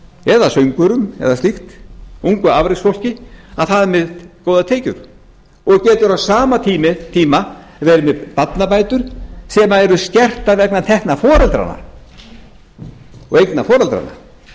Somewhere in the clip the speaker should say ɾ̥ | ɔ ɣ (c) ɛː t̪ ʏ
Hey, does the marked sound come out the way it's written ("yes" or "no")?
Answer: yes